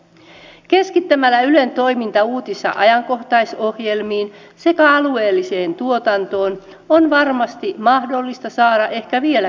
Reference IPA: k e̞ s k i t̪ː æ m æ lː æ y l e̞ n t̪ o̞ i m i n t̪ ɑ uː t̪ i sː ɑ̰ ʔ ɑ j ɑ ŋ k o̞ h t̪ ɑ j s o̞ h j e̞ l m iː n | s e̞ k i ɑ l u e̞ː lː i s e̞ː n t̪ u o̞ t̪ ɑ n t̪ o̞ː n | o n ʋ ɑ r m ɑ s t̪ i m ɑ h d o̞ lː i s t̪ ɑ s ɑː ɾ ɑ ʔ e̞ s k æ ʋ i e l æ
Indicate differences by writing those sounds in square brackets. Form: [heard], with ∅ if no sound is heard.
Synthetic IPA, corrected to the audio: k e̞ s k i t̪ː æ m æ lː æ y l e̞ n t̪ o̞ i m i n t̪ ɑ uː t̪ i sː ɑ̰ ʔ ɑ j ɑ ŋ k o̞ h t̪ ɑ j s o̞ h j e̞ l m iː n | s e̞ k [æ] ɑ l u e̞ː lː i s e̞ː n t̪ u o̞ t̪ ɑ n t̪ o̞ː n | o n ʋ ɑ r m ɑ s t̪ i m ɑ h d o̞ lː i s t̪ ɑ s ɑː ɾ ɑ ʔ e̞ [h] k æ ʋ i e l æ